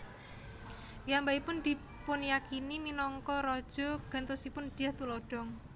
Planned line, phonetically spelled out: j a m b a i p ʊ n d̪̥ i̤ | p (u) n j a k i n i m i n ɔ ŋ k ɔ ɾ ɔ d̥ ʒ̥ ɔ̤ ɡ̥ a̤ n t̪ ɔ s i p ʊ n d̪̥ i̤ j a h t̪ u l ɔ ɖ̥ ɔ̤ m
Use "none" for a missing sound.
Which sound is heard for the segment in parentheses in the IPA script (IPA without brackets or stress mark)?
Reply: ʊ